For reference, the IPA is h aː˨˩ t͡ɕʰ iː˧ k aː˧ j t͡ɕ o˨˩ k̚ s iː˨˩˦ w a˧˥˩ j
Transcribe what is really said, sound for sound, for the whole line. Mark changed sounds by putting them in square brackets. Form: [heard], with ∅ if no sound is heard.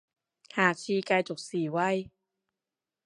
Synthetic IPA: h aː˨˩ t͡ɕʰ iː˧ k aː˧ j t͡ɕ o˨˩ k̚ s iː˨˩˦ w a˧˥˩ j